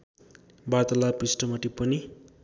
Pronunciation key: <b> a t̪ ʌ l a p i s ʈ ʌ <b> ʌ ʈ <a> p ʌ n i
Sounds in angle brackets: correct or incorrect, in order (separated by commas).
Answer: correct, incorrect, incorrect